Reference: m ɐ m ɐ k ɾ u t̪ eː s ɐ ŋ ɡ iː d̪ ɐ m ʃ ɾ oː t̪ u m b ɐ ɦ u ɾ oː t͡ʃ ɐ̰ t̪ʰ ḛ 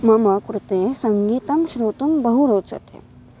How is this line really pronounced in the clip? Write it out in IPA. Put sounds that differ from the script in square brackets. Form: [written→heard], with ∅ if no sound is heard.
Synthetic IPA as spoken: m ɐ m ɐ k ɾ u t̪ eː s ɐ ŋ ɡ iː [d̪→t̪] ɐ m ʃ ɾ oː t̪ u m b ɐ ɦ u ɾ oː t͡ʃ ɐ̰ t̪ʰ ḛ